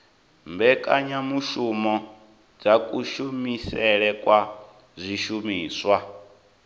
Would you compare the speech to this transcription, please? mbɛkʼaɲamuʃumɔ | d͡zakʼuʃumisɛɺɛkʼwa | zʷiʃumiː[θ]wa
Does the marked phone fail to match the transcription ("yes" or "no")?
yes